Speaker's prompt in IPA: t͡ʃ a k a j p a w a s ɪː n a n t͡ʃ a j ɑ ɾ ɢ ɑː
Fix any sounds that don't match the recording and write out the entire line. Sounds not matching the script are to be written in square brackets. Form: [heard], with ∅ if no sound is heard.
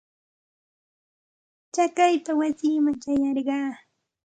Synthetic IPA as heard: t͡ʃ a k a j p a w a s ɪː [m] a [ŋ] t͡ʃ a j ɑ ɾ ɢ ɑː